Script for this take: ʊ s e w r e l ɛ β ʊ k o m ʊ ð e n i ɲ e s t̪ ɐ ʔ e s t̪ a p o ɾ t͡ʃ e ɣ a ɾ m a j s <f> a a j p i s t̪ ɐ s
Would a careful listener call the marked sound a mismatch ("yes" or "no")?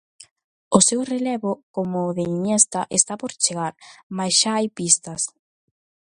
yes